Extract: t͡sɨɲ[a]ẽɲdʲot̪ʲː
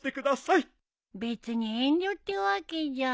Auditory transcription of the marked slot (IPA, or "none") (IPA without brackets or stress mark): i